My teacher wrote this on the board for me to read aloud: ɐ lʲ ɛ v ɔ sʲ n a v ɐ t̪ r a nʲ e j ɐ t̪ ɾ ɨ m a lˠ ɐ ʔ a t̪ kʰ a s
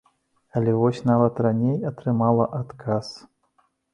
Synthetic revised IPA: ɐ lʲ ɛ v ɔ sʲ n a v ɐ t̪ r a nʲ e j ɐ t̪ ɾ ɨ m a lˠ ɐ ʔ a t̪ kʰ a s